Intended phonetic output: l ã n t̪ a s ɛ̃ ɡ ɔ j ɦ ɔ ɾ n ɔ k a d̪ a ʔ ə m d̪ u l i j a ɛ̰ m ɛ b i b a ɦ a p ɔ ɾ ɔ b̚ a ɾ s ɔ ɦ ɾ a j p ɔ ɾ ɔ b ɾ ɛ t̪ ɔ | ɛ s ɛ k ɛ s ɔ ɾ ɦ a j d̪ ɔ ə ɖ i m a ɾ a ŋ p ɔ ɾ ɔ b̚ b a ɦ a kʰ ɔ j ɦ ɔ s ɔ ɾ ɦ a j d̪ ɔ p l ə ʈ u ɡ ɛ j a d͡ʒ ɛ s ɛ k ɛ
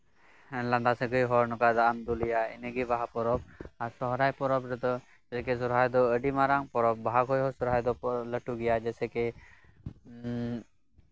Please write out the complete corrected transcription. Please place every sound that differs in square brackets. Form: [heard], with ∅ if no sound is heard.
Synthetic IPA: l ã n [d̪] a s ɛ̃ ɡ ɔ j ɦ ɔ ɾ n ɔ k a d̪ a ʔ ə m d̪ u l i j a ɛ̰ [n] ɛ [ɡ] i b a ɦ a p ɔ ɾ ɔ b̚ a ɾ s ɔ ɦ ɾ a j p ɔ ɾ ɔ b ɾ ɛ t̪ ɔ | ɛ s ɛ k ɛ s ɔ ɾ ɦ a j d̪ ɔ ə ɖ i m a ɾ a ŋ p ɔ ɾ ɔ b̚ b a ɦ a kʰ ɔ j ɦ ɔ s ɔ ɾ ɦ a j d̪ ɔ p l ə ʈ u ɡ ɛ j a d͡ʒ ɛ s ɛ k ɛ